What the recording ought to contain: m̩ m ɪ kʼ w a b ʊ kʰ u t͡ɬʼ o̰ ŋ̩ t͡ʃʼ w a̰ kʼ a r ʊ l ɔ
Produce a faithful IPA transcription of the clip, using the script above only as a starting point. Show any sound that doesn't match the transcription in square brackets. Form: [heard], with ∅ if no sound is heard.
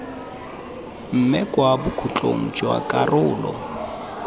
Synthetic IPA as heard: m̩ m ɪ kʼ w a b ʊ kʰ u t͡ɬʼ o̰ ŋ̩ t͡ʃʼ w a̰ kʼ a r [ʊː] l ɔ